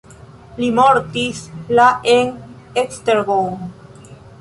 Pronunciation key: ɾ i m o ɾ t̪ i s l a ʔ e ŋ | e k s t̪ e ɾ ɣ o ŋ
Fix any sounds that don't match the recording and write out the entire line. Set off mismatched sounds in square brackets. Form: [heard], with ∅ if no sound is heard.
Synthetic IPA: [l] i m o ɾ t̪ i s l a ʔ e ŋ | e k s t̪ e ɾ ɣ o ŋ